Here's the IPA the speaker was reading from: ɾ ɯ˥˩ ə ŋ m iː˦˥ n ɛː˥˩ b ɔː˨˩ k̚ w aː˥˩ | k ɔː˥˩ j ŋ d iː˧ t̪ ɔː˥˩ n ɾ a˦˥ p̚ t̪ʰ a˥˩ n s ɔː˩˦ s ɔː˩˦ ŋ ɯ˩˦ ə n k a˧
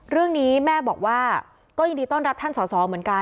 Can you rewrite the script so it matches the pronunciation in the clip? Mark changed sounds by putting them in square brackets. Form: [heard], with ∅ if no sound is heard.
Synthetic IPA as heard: ɾ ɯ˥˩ ə ŋ [n] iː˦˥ [m] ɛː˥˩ b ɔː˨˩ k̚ w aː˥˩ | k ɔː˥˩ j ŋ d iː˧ t̪ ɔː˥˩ n ɾ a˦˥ p̚ t̪ʰ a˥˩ n s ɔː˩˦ s ɔː˩˦ [m] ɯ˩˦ ə n k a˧